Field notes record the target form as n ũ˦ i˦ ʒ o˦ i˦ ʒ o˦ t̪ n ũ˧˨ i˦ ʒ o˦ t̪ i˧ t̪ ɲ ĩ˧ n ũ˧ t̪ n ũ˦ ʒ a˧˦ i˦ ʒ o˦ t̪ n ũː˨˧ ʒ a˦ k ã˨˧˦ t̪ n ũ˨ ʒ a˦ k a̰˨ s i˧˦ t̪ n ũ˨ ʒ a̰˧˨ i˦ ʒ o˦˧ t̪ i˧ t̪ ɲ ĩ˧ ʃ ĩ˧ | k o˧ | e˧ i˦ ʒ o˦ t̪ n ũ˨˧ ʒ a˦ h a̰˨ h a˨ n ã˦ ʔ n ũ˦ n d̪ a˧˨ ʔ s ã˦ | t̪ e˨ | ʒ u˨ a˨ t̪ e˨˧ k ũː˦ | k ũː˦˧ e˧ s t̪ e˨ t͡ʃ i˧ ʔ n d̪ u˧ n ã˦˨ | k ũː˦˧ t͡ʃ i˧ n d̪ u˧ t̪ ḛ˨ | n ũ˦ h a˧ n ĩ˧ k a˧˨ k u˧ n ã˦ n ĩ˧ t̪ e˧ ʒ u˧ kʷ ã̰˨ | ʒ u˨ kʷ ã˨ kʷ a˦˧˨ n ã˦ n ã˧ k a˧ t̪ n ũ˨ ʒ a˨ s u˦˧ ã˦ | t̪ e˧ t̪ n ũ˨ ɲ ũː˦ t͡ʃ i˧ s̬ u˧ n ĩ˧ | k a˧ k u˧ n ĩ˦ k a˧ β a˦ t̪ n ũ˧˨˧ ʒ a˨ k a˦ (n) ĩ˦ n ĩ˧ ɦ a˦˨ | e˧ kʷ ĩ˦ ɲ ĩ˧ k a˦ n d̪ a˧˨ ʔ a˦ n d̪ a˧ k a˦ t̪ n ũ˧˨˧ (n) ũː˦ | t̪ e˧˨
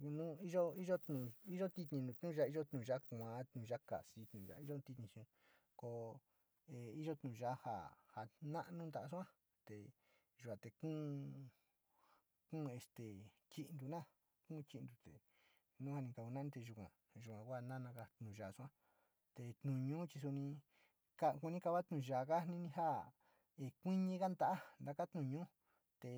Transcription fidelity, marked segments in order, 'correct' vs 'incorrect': correct, incorrect: ɲ

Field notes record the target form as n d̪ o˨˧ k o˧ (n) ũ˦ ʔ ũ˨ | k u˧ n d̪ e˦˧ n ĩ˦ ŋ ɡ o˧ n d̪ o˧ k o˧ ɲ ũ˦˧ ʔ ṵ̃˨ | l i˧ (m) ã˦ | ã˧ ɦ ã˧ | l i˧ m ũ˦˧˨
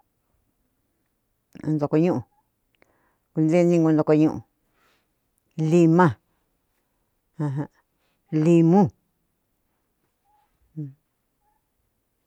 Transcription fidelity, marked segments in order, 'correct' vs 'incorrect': incorrect: ɲ, correct

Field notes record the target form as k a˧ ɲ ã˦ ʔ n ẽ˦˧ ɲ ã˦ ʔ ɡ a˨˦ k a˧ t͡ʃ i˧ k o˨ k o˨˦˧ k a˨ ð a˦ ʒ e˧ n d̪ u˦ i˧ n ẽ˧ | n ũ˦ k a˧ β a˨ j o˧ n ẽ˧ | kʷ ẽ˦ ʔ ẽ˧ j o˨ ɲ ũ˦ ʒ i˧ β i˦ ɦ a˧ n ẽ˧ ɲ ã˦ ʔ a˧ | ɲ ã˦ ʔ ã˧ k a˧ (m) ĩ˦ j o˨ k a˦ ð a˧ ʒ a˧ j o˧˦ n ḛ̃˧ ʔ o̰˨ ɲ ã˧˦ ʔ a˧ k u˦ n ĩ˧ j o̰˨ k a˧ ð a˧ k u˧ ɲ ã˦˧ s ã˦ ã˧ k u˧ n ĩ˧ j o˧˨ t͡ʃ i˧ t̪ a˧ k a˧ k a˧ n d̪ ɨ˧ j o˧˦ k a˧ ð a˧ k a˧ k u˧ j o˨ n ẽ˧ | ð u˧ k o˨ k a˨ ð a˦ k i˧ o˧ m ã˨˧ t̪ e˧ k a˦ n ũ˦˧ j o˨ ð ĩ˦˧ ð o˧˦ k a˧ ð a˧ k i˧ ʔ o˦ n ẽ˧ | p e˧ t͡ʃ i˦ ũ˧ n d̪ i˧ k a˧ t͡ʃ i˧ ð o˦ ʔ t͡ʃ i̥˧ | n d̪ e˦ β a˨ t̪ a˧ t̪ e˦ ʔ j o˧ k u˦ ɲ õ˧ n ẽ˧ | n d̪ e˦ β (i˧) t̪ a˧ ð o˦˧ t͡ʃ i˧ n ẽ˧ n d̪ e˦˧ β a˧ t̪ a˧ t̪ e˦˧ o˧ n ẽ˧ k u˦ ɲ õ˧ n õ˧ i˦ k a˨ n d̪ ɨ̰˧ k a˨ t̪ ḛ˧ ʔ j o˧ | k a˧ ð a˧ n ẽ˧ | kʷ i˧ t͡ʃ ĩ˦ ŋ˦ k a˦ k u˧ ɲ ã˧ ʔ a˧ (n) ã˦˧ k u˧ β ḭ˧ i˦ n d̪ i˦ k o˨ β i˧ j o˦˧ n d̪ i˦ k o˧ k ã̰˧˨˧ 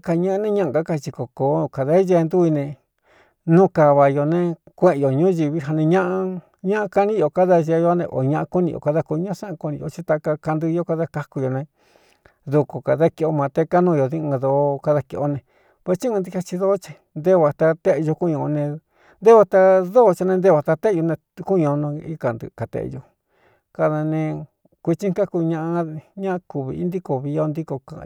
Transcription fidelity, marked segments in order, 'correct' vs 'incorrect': incorrect: n, incorrect: a˧, incorrect: ɲ

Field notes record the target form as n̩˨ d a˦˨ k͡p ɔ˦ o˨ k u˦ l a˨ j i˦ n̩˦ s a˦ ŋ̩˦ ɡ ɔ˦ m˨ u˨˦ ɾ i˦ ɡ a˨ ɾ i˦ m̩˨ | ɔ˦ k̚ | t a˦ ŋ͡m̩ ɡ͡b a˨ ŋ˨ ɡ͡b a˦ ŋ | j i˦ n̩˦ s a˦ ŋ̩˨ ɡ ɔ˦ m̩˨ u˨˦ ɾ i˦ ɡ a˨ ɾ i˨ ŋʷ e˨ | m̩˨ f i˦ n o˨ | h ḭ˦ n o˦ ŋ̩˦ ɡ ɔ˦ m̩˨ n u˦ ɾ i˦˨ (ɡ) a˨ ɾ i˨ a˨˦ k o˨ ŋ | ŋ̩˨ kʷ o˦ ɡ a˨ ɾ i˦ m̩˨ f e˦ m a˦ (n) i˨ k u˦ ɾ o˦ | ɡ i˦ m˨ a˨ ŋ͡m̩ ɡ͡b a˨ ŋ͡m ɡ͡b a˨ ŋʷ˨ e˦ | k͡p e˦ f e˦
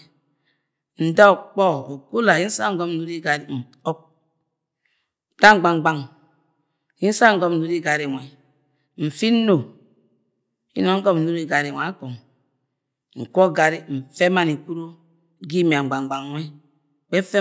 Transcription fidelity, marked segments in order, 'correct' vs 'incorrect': correct, correct

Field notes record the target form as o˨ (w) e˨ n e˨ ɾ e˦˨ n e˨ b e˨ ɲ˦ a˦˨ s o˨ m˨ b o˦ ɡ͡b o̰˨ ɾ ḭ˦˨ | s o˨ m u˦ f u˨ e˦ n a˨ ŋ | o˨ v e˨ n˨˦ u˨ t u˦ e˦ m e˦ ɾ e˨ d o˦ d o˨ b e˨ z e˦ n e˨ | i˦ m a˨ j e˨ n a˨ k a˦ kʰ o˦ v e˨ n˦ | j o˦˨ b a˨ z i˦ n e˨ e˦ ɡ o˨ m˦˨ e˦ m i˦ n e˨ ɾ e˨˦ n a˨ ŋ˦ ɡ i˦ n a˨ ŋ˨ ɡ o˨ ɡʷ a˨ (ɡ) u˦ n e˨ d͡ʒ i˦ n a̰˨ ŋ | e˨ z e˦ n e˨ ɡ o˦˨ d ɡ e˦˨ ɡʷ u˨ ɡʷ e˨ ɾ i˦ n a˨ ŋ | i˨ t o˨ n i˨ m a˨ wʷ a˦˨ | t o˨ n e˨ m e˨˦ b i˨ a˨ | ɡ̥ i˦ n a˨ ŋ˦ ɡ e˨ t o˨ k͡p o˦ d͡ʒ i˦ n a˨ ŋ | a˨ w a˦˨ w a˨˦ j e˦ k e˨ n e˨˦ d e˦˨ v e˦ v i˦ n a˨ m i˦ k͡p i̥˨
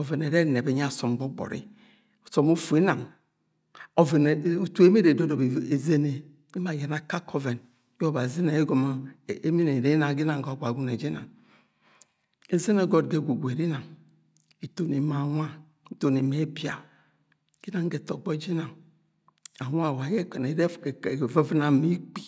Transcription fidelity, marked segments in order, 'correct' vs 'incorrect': incorrect: v, correct

